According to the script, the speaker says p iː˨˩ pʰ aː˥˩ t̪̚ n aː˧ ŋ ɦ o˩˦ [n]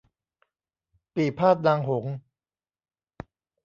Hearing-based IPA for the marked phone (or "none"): ŋ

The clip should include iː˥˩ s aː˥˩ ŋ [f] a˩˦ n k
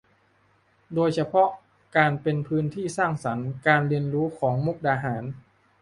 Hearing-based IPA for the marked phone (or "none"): s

